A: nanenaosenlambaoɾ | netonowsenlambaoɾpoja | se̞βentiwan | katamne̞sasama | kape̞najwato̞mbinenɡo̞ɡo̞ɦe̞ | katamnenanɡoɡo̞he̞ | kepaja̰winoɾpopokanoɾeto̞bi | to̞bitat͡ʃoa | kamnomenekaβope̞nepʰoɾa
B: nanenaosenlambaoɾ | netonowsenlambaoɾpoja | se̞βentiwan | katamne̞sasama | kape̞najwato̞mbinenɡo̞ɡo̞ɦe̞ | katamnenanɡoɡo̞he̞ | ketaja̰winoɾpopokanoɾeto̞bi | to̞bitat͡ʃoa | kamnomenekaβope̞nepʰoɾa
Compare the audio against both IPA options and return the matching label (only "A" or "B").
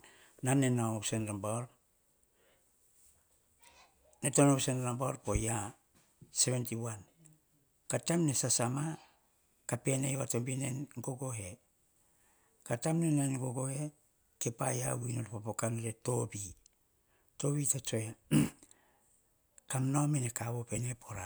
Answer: A